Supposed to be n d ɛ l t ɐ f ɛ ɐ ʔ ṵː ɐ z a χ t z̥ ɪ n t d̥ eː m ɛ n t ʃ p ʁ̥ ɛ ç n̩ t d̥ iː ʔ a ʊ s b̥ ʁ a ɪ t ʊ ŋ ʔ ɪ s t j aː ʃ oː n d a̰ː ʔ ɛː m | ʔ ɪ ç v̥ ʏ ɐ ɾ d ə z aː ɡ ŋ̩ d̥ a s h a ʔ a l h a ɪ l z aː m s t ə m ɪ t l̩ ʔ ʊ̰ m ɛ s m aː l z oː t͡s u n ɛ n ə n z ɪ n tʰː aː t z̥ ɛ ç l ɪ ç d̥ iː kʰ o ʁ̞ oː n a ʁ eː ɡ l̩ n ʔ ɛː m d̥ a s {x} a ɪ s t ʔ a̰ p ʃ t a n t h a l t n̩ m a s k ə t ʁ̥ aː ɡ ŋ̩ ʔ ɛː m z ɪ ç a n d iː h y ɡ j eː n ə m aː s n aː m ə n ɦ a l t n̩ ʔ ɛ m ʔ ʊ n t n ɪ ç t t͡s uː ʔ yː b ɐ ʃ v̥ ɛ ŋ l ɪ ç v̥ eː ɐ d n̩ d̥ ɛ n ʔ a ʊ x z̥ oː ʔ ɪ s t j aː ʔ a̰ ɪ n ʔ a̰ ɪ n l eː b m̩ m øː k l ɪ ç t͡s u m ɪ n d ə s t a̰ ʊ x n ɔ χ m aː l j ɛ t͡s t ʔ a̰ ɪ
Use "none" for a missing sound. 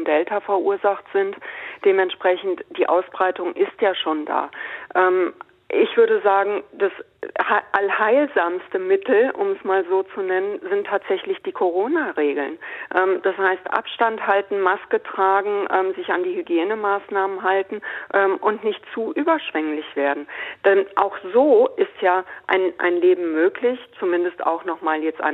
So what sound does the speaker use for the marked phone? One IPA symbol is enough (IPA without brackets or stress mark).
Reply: h